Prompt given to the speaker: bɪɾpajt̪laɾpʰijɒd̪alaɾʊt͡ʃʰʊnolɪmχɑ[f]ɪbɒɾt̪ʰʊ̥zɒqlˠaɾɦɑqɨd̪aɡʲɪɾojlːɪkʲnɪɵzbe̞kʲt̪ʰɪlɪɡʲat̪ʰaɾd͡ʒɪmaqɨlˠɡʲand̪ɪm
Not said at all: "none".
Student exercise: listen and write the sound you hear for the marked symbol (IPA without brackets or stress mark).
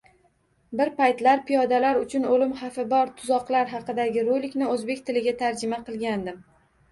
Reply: f